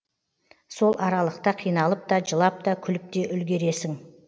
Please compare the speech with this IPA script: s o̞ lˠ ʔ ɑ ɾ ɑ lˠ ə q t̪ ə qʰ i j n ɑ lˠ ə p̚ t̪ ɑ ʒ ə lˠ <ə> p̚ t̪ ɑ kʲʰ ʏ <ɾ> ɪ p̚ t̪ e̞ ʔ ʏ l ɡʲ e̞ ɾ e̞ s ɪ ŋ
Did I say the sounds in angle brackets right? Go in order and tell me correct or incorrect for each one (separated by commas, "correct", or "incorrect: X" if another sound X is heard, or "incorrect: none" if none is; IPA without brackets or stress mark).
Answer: incorrect: ɑ, incorrect: l